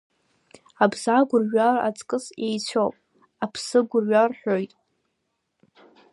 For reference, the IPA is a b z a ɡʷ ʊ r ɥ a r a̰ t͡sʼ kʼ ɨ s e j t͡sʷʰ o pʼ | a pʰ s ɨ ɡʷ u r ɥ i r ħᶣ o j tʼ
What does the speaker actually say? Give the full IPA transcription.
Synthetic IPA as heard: a b z a ɡʷ ʊ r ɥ a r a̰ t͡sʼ kʼ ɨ s e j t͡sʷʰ o pʼ | a pʰ s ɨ ɡʷ ʊ r ɥ a r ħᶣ o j tʼ